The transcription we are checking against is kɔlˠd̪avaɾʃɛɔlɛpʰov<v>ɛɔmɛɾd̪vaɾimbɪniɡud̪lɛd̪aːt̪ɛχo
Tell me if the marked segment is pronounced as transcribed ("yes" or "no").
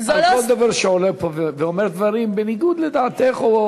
yes